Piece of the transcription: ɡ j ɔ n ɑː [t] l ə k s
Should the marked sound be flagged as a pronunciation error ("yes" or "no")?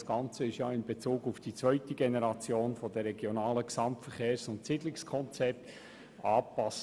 yes